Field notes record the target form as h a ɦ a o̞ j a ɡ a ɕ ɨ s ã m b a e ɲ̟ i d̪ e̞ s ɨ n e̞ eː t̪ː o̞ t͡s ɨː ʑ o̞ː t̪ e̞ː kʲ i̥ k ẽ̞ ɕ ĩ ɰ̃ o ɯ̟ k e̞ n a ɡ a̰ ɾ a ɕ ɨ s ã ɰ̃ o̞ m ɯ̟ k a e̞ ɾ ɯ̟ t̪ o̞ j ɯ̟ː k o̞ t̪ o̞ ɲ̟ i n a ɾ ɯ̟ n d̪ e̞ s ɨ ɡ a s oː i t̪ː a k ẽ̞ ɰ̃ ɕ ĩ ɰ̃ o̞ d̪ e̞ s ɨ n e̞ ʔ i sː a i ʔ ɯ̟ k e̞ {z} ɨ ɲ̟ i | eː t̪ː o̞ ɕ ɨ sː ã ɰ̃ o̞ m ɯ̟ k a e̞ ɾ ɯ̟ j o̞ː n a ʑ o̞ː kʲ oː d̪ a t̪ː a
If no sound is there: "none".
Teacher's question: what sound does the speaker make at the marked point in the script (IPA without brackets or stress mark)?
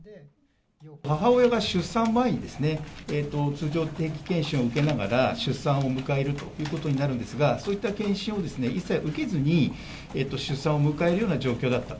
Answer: z